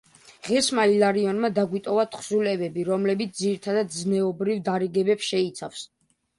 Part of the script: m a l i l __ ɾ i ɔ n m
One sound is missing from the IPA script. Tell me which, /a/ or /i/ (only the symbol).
a